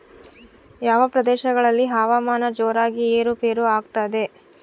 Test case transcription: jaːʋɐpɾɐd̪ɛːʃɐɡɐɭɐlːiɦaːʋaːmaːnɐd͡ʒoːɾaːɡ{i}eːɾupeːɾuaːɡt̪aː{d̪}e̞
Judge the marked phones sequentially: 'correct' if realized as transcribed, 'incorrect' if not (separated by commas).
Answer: correct, correct